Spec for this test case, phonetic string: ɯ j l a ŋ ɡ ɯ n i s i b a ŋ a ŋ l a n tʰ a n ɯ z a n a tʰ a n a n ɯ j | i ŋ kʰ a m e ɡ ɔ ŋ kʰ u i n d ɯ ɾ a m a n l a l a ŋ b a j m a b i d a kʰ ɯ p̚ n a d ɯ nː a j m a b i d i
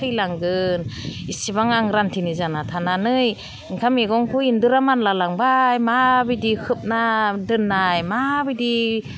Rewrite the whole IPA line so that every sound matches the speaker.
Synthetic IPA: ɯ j l a ŋ ɡ ɯ n i s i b a ŋ a ŋ ɾ a n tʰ i n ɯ z a n a tʰ a n a n ɯ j | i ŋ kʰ a m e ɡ ɔ ŋ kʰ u i n d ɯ ɾ a m a n l a l a ŋ b a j m a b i d i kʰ ɯ p̚ n a d ɯ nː a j m a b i d i